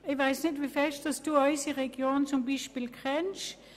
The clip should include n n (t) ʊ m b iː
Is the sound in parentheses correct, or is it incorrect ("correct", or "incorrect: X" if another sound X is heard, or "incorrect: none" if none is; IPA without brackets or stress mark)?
incorrect: t͡s